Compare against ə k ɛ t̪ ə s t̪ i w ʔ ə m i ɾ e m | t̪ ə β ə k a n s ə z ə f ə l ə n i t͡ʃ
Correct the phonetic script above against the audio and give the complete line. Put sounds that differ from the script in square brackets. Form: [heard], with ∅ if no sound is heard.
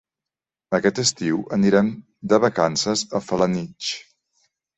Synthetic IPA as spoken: ə k ɛ t̪ ə s t̪ i w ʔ ə [n] i ɾ [ɛ] m | [d̪] ə β ə k a n s ə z ə f ə l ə n i t͡ʃ